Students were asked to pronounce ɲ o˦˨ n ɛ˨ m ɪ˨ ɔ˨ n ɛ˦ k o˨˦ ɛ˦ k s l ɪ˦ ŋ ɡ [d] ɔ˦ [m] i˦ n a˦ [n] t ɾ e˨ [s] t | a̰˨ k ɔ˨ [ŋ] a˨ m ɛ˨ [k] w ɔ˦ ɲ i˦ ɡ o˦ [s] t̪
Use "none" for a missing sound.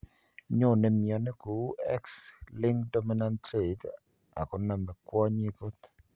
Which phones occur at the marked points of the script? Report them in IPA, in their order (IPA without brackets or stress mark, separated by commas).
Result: d, m, n, none, n, k, none